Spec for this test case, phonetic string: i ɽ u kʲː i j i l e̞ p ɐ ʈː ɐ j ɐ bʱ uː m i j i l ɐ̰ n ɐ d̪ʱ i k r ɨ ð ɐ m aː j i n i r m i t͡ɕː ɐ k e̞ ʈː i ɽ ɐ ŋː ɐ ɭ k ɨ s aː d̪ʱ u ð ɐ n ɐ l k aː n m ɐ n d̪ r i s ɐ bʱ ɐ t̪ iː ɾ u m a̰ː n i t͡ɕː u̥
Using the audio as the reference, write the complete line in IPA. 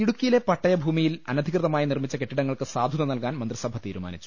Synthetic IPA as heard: i ɽ u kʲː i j i l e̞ p ɐ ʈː ɐ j ɐ bʱ uː m i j i l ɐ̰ n ɐ d̪ʱ i k r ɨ ð ɐ m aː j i n i r m i t͡ɕː ɐ k e̞ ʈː i ɽ ɐ ŋː ɐ ɭ k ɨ s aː d̪ʱ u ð ɐ n ɐ l k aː n m ɐ n d̪ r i s ɐ bʱ ɐ t̪ iː ɾ u m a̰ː n i t͡ɕː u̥

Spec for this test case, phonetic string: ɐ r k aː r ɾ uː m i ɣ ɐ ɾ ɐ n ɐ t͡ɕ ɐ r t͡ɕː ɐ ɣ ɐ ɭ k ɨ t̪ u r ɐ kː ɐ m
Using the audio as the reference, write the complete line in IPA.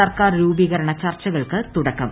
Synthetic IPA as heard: ɐ r k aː r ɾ uː b i ɣ ɐ ɾ ɐ ɳ ɐ t͡ɕ ɐ r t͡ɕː ɐ ɣ ɐ ɭ k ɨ t̪ u ɽ ɐ kː ɐ m

